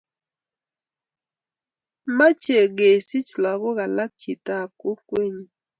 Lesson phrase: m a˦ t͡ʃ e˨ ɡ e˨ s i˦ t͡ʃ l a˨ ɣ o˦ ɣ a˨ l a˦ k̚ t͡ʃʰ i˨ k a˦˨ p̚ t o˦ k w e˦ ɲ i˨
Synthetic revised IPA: m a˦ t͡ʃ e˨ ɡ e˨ s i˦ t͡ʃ l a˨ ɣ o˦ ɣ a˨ l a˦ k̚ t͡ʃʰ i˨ t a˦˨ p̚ k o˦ k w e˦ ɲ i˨